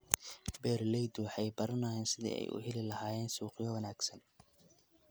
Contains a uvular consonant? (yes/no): yes